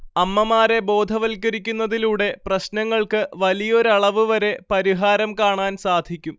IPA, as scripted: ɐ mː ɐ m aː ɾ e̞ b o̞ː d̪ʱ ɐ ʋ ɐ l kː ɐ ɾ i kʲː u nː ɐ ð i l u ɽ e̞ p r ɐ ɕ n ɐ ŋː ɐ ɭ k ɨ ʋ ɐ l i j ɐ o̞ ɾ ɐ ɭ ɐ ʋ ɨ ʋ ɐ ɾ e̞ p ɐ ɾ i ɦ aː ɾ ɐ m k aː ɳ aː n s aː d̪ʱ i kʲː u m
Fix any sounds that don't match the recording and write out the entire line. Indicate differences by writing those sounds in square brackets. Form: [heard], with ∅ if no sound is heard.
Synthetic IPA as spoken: ɐ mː ɐ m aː ɾ e̞ b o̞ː d̪ʱ ɐ ʋ ɐ l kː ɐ ɾ i kʲː u nː ɐ ð i l [uː] ɽ e̞ p r ɐ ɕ n ɐ ŋː ɐ ɭ k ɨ ʋ ɐ l i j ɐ o̞ ɾ ɐ ɭ ɐ ʋ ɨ ʋ ɐ ɾ e̞ p ɐ ɾ i ɦ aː ɾ ɐ m k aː ɳ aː n s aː d̪ʱ i kʲː u m